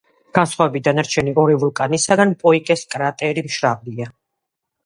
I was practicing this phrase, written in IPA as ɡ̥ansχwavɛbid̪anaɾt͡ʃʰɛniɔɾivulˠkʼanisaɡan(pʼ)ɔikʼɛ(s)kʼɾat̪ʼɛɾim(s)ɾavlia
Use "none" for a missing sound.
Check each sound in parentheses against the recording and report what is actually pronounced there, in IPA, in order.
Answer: pʼ, s, ʃ

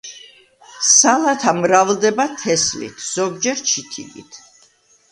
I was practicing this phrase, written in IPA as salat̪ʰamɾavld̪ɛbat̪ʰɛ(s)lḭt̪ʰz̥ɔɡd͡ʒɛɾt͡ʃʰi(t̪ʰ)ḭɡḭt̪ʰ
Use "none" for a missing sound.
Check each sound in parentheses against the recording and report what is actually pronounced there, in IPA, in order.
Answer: s, t̪ʰ

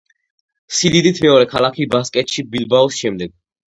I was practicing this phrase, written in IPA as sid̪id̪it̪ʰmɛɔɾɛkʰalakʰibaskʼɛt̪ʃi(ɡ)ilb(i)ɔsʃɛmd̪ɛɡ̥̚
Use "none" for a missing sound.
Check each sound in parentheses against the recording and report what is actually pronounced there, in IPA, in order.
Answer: b, a

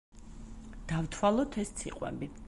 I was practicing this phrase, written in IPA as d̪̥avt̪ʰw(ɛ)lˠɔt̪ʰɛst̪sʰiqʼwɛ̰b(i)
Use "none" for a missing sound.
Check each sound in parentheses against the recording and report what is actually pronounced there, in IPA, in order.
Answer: a, i

